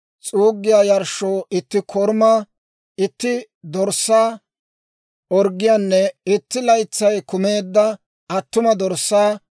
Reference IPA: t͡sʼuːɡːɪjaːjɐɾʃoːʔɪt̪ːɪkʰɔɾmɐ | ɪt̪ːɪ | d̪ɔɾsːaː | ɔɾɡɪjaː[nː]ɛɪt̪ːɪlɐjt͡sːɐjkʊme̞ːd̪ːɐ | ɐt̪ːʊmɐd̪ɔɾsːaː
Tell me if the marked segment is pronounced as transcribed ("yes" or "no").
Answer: yes